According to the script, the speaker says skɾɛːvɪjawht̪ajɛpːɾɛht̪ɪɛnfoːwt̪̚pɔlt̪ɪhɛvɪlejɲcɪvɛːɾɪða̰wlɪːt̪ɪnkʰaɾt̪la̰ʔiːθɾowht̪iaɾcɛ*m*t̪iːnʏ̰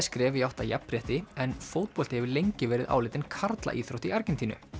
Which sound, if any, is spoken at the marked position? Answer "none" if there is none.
n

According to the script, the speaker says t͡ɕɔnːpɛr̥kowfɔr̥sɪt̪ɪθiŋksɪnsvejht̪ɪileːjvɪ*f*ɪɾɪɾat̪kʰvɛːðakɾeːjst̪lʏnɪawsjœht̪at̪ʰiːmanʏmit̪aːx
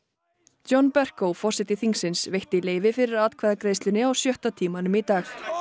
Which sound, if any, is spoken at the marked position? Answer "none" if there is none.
f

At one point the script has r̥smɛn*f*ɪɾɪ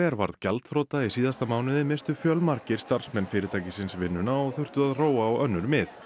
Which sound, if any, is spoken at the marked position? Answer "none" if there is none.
f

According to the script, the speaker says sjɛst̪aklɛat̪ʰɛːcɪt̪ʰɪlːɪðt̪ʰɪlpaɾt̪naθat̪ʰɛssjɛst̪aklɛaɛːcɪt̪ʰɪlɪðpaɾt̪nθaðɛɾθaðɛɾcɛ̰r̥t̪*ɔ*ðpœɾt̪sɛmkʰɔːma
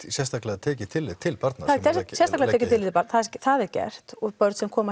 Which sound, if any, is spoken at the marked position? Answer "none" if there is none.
ɔ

